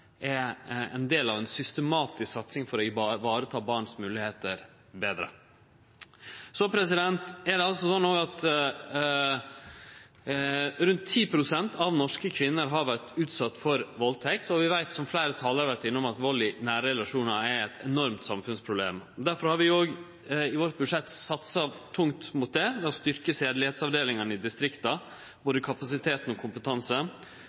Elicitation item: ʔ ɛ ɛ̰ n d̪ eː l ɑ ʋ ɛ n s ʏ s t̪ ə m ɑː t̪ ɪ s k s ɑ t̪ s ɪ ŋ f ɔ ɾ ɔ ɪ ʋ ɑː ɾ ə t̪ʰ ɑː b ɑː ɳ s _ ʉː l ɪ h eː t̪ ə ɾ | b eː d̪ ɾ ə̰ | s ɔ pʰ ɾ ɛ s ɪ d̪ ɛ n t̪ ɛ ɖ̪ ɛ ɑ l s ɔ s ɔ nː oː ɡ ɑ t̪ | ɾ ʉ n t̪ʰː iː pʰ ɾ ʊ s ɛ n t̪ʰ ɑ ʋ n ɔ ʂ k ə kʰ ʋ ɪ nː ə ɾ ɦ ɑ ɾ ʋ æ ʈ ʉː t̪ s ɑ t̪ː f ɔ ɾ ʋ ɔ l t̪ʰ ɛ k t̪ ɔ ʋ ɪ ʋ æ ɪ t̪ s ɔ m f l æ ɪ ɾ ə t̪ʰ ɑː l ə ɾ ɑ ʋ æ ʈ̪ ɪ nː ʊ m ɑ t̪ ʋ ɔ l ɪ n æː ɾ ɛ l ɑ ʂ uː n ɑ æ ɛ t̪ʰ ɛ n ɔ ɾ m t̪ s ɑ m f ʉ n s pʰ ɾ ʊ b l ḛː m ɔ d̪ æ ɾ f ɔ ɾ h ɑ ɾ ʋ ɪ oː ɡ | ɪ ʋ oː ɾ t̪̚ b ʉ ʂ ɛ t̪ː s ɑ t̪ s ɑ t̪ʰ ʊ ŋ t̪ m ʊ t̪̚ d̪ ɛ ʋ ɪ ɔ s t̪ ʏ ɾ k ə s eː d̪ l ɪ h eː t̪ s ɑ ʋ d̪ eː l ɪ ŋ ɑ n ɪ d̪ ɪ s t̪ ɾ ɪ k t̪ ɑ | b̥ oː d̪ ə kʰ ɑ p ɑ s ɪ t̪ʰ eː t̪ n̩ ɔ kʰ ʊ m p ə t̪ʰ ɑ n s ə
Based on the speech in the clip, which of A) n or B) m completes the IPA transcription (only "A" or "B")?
B